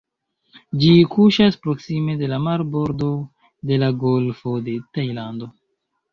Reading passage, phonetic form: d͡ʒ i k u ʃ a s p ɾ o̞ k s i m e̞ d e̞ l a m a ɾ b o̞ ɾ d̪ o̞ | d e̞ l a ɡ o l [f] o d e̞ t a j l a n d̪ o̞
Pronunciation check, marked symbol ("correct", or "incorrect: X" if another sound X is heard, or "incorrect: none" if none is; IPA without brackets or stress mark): correct